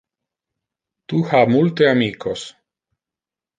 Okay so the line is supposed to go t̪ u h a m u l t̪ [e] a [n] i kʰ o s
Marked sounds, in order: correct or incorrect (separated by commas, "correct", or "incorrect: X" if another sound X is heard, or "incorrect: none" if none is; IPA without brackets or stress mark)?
correct, incorrect: m